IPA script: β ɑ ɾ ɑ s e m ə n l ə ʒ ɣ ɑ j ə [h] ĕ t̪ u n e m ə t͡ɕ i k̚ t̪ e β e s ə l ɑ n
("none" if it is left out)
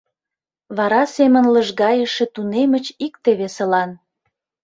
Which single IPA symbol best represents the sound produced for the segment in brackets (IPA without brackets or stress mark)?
ʃ